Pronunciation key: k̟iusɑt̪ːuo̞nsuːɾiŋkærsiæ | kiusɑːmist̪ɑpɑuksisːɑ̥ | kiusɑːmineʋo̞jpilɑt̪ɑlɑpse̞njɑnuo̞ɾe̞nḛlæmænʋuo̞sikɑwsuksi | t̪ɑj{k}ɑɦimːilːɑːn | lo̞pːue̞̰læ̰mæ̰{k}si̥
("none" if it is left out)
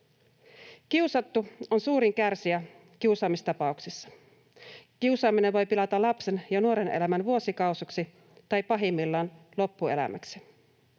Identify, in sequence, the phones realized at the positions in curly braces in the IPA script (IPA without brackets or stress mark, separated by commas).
p, k